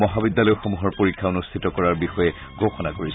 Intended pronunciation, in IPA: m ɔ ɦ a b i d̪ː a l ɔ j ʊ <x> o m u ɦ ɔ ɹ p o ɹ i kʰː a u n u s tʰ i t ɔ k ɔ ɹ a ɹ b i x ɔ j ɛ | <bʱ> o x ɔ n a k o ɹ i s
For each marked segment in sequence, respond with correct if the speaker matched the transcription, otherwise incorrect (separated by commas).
correct, incorrect